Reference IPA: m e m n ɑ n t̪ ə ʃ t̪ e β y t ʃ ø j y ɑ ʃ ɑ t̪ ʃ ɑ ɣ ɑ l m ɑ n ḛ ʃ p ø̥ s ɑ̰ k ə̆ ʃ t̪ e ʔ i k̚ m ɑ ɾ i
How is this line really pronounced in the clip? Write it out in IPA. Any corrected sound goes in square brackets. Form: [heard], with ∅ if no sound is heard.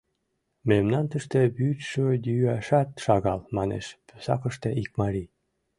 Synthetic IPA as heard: m e m n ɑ n t̪ ə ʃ t̪ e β y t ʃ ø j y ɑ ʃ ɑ t̪ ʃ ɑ ɣ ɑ l m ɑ n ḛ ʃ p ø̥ s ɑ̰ k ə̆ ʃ t̪ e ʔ i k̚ m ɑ ɾ i